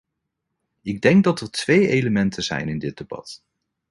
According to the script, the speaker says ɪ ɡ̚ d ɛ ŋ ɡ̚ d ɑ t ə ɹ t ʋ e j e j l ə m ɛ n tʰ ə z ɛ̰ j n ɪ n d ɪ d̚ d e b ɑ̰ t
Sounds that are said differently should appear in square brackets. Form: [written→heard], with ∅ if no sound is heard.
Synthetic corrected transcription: ɪ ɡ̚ d ɛ ŋ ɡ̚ d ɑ t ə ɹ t ʋ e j e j l ə m ɛ n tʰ ə z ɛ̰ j n ɪ n d ɪ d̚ d e b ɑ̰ t